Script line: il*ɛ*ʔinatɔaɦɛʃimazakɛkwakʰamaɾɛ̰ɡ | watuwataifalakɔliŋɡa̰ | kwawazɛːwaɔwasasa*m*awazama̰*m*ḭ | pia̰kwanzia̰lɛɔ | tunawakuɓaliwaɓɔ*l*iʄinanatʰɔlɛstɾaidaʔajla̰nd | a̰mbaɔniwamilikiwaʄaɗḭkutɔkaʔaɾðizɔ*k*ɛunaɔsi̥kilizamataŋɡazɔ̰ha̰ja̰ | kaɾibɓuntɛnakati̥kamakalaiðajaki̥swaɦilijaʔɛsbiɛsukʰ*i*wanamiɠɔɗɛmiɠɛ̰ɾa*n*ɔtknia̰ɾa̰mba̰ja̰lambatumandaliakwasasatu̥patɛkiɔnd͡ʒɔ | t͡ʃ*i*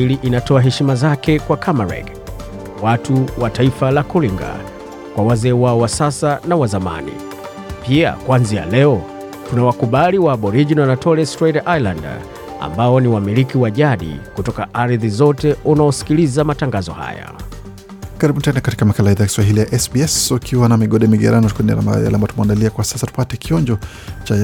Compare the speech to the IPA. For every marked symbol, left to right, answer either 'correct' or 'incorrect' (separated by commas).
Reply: incorrect, incorrect, incorrect, incorrect, incorrect, correct, correct, incorrect